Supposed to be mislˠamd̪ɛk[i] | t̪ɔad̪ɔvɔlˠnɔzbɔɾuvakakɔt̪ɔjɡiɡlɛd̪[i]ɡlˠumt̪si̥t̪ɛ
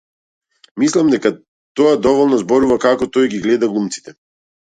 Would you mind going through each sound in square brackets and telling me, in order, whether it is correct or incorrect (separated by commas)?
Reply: incorrect, incorrect